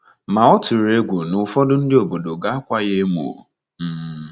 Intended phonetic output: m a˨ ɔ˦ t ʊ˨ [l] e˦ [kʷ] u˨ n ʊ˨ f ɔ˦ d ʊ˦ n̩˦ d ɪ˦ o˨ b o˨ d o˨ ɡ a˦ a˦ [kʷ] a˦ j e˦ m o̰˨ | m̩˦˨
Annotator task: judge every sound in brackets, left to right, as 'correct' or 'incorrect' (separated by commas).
incorrect, incorrect, correct